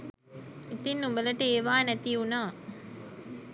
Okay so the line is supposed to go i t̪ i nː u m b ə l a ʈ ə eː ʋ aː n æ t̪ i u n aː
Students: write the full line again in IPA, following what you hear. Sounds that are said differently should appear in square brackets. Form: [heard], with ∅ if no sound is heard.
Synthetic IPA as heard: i t̪ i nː u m b ə l [ə] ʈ ə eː ʋ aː n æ t̪ i u n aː

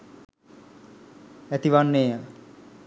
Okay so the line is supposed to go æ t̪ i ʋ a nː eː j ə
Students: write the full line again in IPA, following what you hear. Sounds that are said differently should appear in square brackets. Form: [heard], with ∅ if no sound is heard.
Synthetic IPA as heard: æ t̪ i ʋ a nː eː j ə

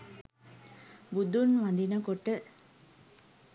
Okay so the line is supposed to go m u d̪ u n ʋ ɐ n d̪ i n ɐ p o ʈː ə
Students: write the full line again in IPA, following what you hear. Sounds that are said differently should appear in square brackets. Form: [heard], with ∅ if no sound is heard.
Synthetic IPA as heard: [b] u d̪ u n ʋ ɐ n d̪ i n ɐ [k] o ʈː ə

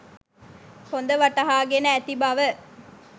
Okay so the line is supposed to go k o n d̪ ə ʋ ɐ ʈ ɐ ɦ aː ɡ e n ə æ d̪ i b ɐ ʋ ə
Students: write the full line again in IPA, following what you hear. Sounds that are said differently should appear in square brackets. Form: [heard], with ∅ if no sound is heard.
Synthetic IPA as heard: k o n d̪ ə ʋ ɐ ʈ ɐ ɦ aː ɡ e n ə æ [t̪] i b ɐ ʋ ə

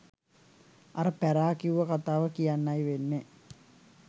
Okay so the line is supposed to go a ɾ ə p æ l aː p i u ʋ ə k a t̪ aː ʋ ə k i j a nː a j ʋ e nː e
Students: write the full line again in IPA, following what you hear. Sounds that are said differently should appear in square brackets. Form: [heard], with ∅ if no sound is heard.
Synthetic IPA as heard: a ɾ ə p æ [ɾ] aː [k] i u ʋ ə k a t̪ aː ʋ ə k i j a nː a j ʋ e nː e

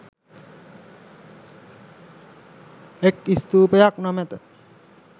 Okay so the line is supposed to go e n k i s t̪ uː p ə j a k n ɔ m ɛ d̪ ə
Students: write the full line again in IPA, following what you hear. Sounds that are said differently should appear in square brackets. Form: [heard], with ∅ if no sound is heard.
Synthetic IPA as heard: e [∅] k i s t̪ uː p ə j a k n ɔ m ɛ [t̪] ə

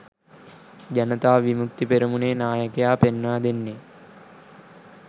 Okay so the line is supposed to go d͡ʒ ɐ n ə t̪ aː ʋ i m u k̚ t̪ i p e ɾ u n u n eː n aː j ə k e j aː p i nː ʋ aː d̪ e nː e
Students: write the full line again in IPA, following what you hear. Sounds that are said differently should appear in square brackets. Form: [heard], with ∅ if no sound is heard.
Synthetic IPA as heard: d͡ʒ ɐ n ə t̪ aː ʋ i m u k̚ t̪ i p e ɾ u [m] u n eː n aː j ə k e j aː p [e] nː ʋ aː d̪ e nː e

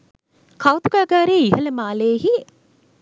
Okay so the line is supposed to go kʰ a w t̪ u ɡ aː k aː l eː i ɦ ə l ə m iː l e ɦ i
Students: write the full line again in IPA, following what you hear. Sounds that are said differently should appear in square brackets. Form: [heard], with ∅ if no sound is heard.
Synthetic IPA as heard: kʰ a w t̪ u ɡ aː [ɡ] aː [ɾ] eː i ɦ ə l ə m [aː] l e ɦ i

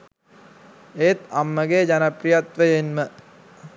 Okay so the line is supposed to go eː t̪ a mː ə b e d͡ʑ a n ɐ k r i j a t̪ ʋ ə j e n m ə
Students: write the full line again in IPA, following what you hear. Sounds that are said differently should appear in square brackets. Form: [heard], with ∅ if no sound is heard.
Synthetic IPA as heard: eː t̪ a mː ə [ɡ] e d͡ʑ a n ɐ [p] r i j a t̪ ʋ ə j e n m ə

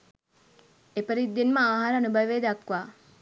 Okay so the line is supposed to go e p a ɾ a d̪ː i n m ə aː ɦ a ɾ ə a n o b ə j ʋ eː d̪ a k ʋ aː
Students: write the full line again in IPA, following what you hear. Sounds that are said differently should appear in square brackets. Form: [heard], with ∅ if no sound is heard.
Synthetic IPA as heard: e p [ə] ɾ [i] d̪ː i n m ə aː ɦ a ɾ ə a n [u] b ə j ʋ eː d̪ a k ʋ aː

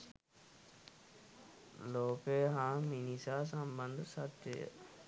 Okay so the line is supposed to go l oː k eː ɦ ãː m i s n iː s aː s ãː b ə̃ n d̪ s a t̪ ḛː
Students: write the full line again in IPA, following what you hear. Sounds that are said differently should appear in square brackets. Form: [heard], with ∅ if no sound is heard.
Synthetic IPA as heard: l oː k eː ɦ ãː m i [∅] n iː s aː s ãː b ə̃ n d̪ s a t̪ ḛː

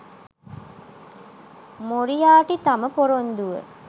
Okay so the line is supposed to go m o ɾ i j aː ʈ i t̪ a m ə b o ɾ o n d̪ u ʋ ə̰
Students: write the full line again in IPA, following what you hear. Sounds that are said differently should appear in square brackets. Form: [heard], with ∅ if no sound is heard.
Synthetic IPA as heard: m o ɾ i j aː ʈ i t̪ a m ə [p] o ɾ o n d̪ u ʋ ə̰

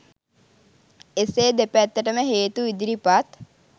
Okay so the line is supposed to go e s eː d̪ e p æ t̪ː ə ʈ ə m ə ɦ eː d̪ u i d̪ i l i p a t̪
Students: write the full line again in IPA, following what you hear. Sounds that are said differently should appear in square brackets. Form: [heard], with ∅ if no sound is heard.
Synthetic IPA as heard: e s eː d̪ e p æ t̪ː ə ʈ ə m ə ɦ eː [t̪] u i d̪ i [ɾ] i p a t̪

